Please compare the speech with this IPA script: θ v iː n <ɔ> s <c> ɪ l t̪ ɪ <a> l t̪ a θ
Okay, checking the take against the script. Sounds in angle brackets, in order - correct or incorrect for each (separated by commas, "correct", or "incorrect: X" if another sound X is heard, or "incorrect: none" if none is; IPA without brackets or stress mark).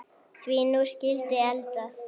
incorrect: u, correct, incorrect: ɛ